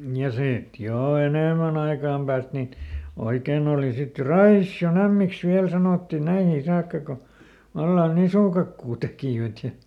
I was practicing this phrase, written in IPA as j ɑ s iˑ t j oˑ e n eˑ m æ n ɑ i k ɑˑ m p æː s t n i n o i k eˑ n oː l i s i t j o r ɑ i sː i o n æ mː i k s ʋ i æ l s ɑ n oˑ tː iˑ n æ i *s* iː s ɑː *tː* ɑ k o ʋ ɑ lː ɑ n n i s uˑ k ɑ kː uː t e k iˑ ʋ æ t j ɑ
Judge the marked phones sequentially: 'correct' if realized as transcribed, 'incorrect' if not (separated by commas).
incorrect, incorrect